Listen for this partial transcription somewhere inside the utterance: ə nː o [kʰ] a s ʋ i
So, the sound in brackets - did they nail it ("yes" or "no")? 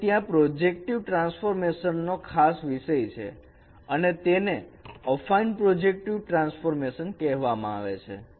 yes